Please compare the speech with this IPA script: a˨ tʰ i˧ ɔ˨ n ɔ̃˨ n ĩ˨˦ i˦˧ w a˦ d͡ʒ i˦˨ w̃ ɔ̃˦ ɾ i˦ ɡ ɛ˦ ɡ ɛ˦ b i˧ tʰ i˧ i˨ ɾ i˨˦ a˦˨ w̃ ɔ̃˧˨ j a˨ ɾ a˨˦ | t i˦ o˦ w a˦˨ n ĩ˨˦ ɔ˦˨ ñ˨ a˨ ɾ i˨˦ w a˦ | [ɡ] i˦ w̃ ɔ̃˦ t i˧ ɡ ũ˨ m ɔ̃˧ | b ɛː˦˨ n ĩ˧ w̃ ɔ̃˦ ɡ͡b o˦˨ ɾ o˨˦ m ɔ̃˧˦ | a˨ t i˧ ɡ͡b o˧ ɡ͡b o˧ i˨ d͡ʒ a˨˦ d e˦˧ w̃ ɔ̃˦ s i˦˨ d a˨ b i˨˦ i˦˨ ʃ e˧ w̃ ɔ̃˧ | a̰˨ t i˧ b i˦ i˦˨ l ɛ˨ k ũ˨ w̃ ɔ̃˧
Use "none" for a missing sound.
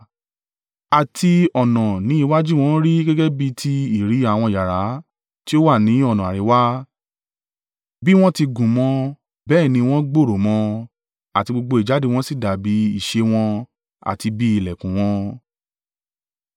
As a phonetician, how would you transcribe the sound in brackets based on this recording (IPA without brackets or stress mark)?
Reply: b